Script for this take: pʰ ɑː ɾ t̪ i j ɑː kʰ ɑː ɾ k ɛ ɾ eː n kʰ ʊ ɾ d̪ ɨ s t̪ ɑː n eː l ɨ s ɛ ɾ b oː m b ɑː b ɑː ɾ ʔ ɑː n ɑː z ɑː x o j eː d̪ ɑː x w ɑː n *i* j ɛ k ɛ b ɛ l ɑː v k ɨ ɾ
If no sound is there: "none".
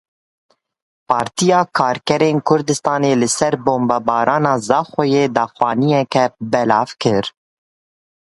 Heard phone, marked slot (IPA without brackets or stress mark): i